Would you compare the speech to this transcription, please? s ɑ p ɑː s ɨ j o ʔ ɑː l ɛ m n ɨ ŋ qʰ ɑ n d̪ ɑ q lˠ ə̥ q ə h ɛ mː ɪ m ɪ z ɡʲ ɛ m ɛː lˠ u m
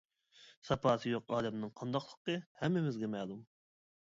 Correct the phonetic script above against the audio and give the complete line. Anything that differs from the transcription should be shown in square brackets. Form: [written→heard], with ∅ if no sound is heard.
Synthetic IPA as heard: s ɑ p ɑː s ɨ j o [ʔ→q] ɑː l ɛ m n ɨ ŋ qʰ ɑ n d̪ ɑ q lˠ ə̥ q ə h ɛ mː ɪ m ɪ z ɡʲ ɛ m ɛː lˠ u m